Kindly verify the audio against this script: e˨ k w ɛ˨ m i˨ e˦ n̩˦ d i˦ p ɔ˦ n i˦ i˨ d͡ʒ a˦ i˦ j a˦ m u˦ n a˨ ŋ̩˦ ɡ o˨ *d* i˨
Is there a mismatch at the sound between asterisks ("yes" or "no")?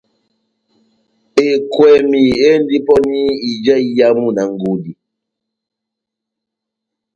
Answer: no